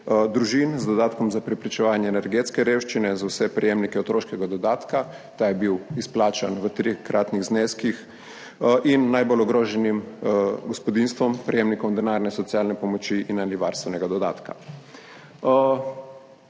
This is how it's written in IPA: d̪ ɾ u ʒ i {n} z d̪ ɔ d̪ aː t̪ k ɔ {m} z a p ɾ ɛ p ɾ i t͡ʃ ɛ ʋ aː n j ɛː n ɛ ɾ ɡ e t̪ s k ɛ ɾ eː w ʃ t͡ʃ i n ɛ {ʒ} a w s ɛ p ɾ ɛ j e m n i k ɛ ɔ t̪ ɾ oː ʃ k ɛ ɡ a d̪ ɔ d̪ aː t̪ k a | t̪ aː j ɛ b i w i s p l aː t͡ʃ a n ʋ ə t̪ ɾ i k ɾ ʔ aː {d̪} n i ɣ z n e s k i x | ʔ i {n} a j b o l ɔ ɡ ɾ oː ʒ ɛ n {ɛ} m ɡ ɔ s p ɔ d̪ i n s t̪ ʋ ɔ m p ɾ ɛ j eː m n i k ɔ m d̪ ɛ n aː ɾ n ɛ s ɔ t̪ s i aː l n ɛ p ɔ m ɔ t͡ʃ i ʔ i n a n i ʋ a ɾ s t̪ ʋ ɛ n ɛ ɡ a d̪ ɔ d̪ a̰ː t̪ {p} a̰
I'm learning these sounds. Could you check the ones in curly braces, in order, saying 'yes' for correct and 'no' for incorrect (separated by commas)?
yes, yes, no, no, no, no, no